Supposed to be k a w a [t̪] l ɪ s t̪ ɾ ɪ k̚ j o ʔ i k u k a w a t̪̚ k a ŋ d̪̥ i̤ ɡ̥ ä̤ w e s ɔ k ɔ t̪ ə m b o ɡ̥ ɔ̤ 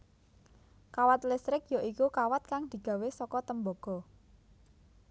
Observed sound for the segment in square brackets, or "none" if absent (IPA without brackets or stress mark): t̪